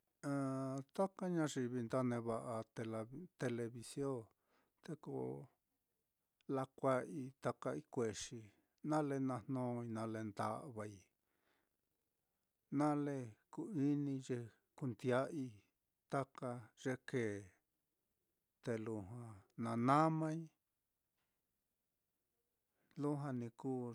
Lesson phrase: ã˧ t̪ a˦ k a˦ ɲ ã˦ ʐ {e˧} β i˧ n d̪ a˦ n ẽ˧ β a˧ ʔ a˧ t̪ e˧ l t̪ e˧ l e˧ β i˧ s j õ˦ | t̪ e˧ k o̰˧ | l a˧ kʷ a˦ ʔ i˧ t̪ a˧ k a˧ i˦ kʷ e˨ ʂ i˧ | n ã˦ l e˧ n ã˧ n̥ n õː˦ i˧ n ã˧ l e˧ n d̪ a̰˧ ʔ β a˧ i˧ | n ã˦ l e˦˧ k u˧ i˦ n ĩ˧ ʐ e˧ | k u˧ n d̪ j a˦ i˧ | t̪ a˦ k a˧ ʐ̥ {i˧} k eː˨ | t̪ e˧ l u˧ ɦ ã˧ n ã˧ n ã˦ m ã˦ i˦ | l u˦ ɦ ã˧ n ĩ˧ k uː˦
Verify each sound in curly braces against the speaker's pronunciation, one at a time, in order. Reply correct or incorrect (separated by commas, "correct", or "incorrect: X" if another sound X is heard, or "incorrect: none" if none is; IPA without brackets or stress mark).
incorrect: i˧, incorrect: e˧